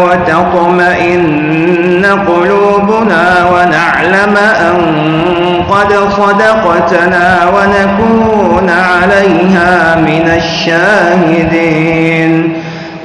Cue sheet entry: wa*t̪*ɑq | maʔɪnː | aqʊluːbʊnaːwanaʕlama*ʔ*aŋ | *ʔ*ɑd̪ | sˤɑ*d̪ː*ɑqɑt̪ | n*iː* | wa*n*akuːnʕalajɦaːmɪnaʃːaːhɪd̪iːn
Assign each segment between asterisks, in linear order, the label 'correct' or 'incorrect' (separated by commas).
correct, correct, incorrect, incorrect, incorrect, correct